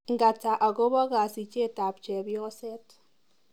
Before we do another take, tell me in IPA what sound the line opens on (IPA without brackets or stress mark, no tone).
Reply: ŋ